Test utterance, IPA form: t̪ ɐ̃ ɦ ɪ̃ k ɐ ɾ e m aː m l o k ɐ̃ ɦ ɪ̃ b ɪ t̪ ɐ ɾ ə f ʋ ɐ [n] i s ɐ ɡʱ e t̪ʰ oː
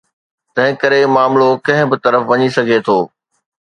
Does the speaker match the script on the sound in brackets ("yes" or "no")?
no